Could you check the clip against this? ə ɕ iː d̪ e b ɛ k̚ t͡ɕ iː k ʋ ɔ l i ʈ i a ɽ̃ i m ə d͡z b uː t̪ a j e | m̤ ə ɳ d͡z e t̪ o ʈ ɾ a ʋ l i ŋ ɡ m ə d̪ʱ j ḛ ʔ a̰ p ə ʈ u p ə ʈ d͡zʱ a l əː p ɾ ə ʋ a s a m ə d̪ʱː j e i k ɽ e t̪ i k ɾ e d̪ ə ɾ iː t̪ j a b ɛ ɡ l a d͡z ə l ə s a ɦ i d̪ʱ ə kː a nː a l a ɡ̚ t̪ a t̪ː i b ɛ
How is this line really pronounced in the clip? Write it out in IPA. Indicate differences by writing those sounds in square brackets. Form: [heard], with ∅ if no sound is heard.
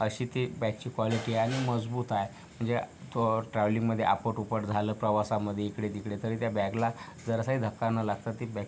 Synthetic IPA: ə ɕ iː [t̪] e b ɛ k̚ t͡ɕ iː k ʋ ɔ l i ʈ i a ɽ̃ i m ə d͡z b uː t̪ a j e | m̤ ə ɳ d͡z e t̪ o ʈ ɾ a ʋ l i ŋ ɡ m ə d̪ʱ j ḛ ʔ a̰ p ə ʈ u p ə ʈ d͡zʱ a l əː p ɾ ə ʋ a s a m ə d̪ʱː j e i k ɽ e t̪ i k [ɽ] e [t̪] ə ɾ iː t̪ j a b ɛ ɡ l a d͡z ə [ɾ] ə s a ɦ i d̪ʱ ə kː a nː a l a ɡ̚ t̪ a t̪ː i b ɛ

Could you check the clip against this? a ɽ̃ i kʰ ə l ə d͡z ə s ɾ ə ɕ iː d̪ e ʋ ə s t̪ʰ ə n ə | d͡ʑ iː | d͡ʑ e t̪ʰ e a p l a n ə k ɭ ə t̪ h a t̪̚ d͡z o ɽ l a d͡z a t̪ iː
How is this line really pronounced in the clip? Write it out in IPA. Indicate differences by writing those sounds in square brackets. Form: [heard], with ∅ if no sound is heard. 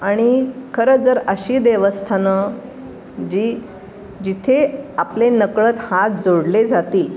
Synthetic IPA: a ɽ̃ i kʰ ə [ɾ] ə d͡z ə [∅] ɾ ə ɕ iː d̪ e ʋ ə s t̪ʰ [a] n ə | d͡ʑ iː | d͡ʑ [i] t̪ʰ e a p l [e] n ə k ɭ ə t̪ h a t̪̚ d͡z o ɽ l [e] d͡z a t̪ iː

